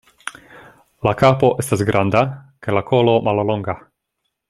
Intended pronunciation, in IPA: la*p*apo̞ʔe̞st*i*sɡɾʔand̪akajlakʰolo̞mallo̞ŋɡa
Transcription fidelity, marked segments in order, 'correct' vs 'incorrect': incorrect: k, incorrect: a

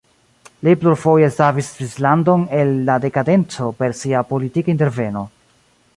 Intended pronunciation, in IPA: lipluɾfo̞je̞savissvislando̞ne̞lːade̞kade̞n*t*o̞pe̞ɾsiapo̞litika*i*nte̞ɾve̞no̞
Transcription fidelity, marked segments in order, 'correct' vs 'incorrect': incorrect: t͡s, correct

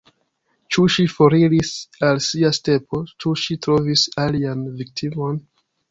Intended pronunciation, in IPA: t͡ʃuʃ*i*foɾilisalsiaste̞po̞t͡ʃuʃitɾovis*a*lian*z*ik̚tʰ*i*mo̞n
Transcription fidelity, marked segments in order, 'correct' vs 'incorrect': correct, correct, incorrect: v, correct

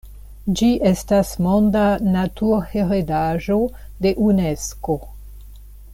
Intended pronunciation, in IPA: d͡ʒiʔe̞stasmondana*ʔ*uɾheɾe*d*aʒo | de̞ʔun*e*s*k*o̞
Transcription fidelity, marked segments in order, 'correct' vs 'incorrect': incorrect: t, correct, correct, correct

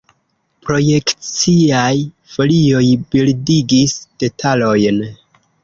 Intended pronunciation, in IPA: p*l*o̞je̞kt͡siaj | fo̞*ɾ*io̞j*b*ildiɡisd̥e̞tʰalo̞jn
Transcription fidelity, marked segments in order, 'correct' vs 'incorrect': incorrect: ɾ, incorrect: l, correct

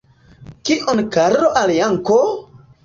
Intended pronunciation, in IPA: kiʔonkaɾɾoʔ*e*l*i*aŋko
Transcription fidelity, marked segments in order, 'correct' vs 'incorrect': incorrect: a, incorrect: j

